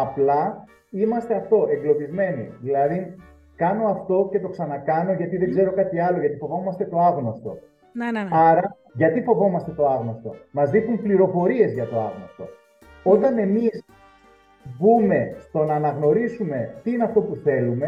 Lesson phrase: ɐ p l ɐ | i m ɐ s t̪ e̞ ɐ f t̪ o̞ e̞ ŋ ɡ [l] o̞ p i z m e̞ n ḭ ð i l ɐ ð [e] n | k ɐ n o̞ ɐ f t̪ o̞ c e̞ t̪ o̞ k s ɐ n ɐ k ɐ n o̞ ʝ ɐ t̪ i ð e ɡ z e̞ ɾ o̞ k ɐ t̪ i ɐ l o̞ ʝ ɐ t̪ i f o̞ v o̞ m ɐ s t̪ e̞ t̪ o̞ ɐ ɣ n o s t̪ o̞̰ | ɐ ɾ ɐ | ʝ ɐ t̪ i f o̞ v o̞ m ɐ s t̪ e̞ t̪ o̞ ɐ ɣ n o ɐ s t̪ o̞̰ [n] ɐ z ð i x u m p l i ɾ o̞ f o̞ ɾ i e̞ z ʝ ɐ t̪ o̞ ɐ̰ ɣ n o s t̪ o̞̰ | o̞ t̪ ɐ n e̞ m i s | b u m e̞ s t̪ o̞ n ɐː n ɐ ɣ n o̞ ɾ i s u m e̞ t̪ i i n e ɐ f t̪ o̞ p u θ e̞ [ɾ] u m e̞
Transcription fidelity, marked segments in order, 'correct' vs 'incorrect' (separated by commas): correct, incorrect, incorrect, incorrect